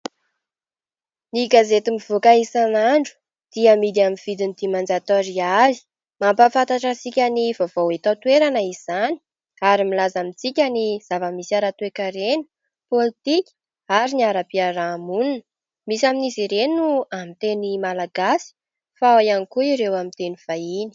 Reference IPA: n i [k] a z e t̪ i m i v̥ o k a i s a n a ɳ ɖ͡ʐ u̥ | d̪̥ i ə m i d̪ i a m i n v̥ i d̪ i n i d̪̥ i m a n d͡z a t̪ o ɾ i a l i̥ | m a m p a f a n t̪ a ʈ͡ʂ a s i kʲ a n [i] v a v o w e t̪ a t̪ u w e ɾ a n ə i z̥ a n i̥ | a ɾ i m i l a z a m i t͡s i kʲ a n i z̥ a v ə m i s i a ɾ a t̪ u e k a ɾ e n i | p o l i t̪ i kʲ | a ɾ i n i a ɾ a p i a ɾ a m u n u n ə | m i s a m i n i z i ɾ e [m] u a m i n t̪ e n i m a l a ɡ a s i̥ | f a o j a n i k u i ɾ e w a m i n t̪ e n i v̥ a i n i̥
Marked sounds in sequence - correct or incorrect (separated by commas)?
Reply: incorrect, correct, incorrect